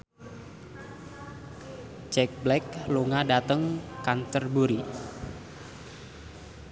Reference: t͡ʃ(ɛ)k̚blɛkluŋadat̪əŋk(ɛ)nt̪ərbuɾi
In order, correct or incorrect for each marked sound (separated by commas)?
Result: correct, incorrect